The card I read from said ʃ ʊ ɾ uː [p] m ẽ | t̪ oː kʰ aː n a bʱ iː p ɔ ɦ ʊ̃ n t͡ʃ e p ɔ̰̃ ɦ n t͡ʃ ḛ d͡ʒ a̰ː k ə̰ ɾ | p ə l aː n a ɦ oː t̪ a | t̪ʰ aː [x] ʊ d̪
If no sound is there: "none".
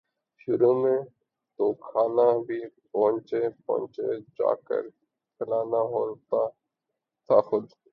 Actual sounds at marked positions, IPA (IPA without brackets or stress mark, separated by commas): none, x